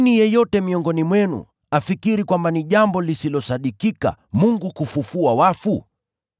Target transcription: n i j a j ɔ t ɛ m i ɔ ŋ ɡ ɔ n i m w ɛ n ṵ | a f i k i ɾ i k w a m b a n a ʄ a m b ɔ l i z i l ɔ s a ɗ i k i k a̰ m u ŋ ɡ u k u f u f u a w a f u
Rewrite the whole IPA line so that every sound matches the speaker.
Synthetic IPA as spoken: n i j ɛ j ɔ t ɛ m i ɔ ŋ ɡ ɔ n i m w ɛ n ṵ | a f i k i ɾ i k w a m b a n i ʄ a m b ɔ l i s i l ɔ s a ɗ i k i k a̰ m u ŋ ɡ u k u f u f u a w a f u

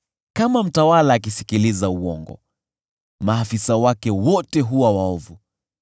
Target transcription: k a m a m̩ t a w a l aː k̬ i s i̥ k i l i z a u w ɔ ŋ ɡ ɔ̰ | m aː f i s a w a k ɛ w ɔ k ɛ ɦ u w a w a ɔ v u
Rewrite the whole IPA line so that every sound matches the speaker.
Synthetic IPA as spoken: k a m a m̩ t a w a l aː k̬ i s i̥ k i l i z a u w ɔ ŋ ɡ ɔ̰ | m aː f i s a w a k ɛ w ɔ t ɛ ɦ u w a w a ɔ v u

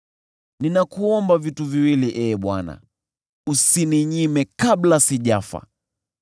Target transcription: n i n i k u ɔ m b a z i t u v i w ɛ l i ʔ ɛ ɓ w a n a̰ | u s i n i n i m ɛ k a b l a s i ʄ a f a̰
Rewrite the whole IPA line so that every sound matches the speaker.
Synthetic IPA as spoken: n i n a k u ɔ m b a v i t u v i w i l i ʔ ɛ ɓ w a n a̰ | u s i n i ɲ i m ɛ k a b l a s i ʄ a f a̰

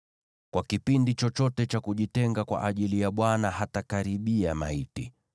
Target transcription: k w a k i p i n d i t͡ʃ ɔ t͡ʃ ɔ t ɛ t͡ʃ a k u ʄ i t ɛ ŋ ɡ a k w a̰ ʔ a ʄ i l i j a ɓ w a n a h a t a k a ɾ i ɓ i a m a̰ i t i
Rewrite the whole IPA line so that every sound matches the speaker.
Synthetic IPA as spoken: k w a k i p i n d i t͡ʃ ɔ t͡ʃ ɔ t ɛ t͡ʃ a k u ʄ i t ɛ ŋ ɡ a k w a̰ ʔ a ʄ i l i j a ɓ w a n a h a t a k a ɾ i ɓ i a m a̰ i t i

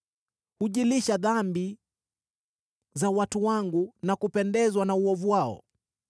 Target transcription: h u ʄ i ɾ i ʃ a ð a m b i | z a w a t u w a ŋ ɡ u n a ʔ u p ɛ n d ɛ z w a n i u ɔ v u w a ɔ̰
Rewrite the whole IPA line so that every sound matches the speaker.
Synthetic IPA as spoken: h u ʄ i l i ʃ a ð a m b i | z a w a t u w a ŋ ɡ u n a k u p ɛ n d ɛ z w a n a u ɔ v u w a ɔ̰

